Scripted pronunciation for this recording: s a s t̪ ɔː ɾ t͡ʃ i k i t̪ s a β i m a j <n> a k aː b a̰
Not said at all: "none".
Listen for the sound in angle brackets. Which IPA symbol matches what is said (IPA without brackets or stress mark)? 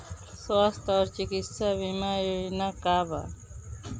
n